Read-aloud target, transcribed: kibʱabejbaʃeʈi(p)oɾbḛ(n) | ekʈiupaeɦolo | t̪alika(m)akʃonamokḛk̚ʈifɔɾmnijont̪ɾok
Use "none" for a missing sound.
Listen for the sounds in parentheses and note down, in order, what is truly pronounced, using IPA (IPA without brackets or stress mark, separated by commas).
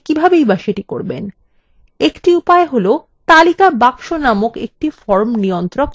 k, n, b